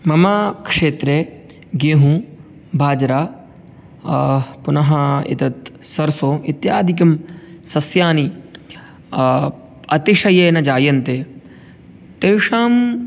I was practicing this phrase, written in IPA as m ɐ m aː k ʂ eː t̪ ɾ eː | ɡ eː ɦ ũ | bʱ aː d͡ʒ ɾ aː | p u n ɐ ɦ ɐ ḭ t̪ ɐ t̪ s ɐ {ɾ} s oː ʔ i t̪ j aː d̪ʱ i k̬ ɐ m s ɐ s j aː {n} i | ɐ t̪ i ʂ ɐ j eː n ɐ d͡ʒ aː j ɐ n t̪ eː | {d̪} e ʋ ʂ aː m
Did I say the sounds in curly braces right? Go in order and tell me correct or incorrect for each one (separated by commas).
correct, correct, incorrect